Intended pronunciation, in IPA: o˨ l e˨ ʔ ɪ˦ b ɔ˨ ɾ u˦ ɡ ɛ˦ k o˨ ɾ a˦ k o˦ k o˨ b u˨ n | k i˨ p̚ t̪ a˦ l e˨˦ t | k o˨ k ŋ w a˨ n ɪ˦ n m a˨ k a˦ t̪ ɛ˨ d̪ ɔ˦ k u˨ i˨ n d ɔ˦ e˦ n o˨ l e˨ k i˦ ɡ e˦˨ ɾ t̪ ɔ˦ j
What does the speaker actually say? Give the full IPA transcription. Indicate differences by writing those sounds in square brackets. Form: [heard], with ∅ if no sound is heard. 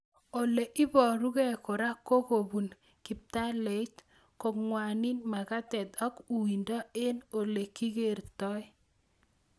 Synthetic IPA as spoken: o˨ l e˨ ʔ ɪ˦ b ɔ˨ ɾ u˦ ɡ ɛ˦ k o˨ ɾ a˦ k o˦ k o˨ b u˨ n | k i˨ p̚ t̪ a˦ l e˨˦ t | k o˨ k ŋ w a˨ n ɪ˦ n m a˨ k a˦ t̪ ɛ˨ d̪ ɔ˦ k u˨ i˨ n d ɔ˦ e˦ n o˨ l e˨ k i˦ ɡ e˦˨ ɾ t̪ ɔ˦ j